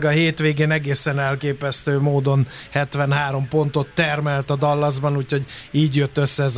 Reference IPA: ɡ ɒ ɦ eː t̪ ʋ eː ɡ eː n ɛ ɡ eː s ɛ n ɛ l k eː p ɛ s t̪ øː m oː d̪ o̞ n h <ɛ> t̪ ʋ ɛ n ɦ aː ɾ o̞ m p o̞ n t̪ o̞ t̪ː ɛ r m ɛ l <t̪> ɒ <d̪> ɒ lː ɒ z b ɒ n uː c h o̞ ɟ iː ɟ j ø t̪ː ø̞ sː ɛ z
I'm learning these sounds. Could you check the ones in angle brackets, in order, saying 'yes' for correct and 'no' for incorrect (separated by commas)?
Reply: yes, yes, yes